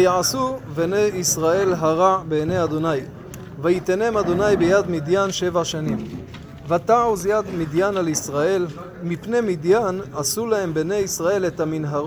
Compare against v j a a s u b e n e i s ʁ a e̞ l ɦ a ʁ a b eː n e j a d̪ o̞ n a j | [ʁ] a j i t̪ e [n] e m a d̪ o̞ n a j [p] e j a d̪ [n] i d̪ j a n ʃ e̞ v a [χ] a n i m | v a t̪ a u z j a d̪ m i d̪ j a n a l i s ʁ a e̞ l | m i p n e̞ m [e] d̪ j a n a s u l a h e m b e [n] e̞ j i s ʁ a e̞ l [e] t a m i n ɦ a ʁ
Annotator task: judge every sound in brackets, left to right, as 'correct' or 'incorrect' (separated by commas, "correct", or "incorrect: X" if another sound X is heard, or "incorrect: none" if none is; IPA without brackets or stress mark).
incorrect: v, correct, incorrect: b, incorrect: m, incorrect: ʃ, incorrect: i, correct, correct